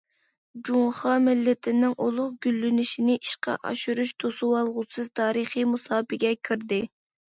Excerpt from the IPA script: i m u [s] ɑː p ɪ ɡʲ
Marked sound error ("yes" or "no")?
no